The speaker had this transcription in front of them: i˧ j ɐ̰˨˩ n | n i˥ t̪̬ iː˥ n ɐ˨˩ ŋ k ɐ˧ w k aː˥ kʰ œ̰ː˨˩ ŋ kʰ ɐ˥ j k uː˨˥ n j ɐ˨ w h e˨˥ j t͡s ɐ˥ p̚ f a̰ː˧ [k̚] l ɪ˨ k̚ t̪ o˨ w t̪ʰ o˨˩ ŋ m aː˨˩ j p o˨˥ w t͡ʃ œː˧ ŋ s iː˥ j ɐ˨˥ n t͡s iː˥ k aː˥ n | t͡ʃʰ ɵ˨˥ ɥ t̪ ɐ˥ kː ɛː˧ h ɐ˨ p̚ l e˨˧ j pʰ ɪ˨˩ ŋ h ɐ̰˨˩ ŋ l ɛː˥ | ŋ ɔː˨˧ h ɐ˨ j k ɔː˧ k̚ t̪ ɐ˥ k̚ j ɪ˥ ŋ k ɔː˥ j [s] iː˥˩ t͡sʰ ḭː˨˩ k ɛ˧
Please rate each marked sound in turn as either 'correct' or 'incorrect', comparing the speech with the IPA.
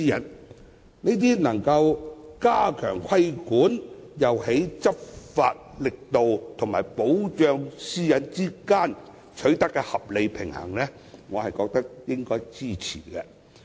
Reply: incorrect, incorrect

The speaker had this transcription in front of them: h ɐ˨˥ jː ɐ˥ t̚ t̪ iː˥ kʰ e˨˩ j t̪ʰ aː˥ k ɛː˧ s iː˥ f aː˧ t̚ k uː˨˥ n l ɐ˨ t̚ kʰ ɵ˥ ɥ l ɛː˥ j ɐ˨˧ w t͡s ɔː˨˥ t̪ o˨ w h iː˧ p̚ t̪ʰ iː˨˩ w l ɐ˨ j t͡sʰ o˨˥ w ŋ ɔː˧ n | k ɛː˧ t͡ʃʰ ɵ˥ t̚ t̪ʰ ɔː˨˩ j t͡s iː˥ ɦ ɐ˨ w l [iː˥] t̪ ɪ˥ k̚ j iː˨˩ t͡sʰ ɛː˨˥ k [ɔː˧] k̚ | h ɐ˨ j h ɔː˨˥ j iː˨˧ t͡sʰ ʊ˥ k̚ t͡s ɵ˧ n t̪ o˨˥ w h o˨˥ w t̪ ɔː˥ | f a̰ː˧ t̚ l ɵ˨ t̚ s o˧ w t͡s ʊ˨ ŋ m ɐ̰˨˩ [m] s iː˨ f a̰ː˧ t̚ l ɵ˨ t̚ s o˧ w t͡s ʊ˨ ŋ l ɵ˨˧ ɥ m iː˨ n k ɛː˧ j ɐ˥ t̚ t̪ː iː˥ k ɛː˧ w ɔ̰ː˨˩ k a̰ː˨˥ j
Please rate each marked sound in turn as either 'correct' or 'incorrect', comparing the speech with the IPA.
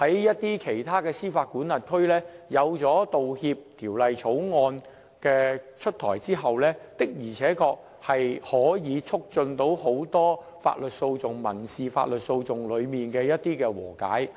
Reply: incorrect, correct, incorrect

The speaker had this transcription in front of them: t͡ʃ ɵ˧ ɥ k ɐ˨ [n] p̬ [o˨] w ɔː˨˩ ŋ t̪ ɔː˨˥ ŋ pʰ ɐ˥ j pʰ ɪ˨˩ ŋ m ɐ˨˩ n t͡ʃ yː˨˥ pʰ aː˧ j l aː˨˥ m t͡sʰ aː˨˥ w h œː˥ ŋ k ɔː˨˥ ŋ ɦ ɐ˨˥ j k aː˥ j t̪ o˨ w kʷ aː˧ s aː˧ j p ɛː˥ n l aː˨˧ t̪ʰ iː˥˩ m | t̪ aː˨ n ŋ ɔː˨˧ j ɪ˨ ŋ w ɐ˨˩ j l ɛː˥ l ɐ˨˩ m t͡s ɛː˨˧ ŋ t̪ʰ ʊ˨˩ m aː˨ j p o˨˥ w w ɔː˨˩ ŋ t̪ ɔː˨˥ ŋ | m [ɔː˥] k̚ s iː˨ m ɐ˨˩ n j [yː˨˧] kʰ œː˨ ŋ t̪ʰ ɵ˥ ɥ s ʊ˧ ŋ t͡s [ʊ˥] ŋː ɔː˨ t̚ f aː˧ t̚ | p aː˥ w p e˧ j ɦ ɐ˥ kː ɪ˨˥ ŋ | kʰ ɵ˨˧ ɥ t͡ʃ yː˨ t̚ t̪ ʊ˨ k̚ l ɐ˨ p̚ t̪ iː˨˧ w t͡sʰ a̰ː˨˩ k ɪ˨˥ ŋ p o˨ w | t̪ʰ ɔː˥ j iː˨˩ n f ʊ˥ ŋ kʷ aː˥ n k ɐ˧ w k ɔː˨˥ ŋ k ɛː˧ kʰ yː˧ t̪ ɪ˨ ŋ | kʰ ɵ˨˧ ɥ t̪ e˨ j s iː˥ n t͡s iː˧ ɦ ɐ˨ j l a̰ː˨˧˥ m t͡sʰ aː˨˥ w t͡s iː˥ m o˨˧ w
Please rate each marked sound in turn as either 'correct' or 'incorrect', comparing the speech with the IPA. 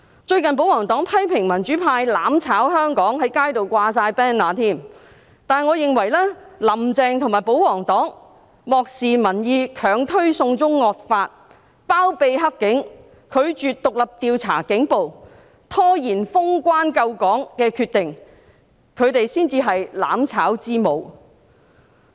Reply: correct, incorrect, incorrect, incorrect, correct

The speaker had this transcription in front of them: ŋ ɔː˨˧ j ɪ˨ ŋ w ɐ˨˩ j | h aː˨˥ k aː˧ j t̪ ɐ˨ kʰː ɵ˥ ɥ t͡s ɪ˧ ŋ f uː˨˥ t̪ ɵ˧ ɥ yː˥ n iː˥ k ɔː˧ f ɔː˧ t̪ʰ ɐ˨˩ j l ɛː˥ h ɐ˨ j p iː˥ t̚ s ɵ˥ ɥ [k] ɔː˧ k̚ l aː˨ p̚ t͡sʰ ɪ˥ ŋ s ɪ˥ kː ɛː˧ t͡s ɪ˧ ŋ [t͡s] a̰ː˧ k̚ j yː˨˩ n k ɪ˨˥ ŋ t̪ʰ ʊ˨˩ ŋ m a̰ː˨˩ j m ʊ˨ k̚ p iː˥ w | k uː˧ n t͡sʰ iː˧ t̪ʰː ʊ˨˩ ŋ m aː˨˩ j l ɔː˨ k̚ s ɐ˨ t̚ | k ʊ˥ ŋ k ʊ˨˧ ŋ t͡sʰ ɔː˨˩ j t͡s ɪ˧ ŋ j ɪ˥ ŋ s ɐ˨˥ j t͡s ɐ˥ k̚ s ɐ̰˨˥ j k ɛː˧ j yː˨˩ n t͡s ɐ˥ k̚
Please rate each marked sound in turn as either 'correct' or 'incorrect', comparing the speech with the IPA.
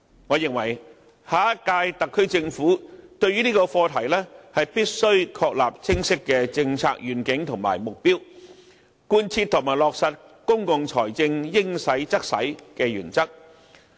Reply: incorrect, incorrect

